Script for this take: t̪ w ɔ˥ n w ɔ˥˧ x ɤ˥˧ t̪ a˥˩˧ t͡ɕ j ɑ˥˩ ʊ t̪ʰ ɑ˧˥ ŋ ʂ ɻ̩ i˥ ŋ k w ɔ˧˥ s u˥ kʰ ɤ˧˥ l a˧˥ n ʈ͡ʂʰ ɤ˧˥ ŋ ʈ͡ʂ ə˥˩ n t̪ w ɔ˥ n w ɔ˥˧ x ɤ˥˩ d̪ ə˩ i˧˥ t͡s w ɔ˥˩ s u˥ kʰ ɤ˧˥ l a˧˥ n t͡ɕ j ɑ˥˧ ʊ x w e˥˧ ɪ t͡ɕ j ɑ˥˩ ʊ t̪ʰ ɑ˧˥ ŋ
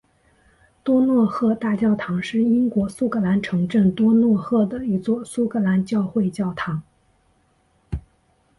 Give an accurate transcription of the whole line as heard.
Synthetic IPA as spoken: t̪ w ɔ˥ n w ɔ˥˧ x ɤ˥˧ t̪ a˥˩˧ t͡ɕ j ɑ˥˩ ʊ t̪ʰ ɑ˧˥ ŋ ʂ ɻ̩ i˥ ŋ k w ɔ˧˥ s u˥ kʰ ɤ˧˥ l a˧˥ n ʈ͡ʂʰ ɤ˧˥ ŋ ʈ͡ʂ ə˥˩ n t̪ w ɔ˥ n w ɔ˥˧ x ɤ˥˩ d̪ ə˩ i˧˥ t͡s w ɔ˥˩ s u˥ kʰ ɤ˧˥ l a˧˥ n t͡ɕ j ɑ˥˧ ʊ x w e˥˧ ɪ t͡ɕ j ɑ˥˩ ʊ t̪ʰ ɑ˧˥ ŋ